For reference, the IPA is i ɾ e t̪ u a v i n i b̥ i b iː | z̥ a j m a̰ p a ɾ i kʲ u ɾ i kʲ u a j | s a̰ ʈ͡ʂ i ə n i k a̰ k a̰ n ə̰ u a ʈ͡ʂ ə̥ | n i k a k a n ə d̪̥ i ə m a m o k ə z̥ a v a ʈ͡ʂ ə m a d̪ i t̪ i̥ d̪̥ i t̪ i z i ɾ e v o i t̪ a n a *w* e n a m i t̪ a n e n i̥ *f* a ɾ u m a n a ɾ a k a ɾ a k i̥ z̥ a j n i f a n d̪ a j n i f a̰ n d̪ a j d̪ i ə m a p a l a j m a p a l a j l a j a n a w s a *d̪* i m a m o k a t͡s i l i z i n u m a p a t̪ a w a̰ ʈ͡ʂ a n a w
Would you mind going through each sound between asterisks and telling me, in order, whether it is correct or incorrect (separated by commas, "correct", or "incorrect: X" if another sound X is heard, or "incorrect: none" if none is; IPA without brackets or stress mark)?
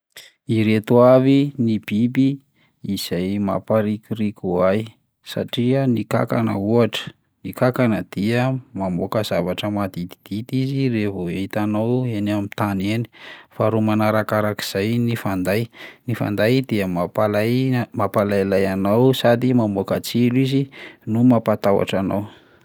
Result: correct, correct, correct